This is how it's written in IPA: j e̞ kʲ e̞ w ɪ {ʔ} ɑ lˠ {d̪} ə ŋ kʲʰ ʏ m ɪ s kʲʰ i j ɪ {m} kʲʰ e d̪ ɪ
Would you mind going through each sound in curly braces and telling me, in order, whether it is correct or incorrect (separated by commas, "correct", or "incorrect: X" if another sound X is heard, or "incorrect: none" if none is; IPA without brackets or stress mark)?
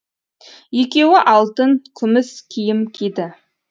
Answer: correct, incorrect: t̪, correct